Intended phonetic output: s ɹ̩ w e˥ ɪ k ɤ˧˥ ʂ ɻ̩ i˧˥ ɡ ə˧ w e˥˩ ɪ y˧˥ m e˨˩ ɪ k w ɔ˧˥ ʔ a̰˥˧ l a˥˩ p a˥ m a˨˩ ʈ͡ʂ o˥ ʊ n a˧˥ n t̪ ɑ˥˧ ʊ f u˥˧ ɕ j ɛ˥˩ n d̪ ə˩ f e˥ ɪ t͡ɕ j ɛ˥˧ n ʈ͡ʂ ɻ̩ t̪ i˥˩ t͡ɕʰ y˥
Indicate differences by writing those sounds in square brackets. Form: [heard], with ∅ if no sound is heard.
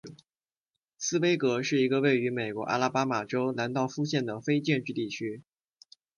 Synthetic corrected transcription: s ɹ̩ w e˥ ɪ k ɤ˧˥ ʂ ɻ̩ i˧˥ ɡ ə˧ w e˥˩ ɪ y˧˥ m e˨˩ ɪ k w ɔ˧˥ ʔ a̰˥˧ l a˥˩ p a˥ m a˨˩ ʈ͡ʂ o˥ ʊ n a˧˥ n t̪ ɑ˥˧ ʊ f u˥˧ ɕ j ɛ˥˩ n d̪ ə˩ f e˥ ɪ t͡ɕ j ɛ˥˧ n ʈ͡ʂ ɻ̩ t̪ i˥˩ t͡ɕʰ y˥